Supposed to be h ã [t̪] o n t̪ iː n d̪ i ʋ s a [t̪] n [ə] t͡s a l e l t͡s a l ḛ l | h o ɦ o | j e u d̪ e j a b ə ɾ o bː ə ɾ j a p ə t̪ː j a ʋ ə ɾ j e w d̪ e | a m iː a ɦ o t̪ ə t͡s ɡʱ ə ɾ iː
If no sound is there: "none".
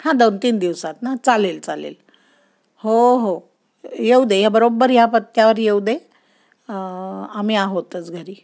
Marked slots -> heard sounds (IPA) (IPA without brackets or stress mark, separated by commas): d̪, t̪, a